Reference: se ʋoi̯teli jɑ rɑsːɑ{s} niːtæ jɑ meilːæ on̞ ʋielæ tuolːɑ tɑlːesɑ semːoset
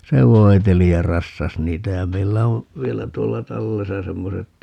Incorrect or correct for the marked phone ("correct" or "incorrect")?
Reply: correct